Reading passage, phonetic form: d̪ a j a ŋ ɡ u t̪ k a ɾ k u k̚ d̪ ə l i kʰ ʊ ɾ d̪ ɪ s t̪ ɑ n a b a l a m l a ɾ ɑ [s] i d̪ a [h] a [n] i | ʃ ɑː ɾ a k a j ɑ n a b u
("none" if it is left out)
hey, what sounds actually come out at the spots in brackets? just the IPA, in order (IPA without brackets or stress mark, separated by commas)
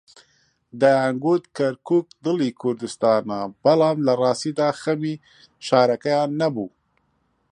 s, x, m